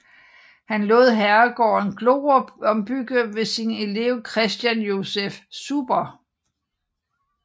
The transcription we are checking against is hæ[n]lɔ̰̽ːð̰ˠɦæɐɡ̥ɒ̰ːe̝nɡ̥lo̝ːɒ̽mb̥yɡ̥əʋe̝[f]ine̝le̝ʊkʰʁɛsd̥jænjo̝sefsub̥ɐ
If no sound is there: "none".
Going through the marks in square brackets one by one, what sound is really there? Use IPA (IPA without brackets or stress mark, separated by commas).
n, s